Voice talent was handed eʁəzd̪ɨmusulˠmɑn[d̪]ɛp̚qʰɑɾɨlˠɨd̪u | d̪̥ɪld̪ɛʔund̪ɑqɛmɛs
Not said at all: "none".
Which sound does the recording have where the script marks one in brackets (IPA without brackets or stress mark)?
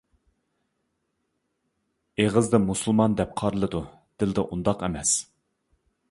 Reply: d̪